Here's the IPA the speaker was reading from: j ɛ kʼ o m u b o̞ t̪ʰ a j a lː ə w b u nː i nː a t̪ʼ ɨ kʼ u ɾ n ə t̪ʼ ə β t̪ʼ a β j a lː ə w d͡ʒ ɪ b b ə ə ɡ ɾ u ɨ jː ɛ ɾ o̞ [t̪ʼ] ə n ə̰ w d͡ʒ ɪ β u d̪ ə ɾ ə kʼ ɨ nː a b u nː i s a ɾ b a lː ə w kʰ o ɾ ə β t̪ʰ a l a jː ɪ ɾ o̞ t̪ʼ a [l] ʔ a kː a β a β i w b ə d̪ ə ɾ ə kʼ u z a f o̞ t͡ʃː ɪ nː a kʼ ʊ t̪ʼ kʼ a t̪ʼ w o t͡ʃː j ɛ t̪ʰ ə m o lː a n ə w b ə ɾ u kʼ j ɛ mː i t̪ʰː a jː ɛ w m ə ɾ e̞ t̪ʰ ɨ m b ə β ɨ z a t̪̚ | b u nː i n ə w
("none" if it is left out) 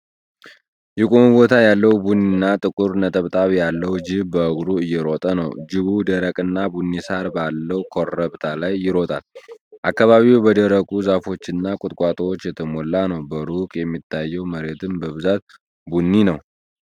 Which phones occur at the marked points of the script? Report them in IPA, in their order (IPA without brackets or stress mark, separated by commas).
t̪ʼ, l